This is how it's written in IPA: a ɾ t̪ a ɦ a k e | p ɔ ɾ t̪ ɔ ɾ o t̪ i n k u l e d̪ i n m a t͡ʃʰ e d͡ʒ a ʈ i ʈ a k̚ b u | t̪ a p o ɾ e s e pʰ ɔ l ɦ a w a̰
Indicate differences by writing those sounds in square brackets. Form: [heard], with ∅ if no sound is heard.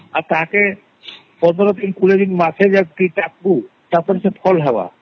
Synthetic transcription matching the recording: a ɾ t̪ a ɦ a k e | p ɔ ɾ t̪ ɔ ɾ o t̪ i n k u l e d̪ i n m a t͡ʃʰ e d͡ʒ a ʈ i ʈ a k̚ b u | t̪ a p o ɾ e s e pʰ ɔ l ɦ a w a̰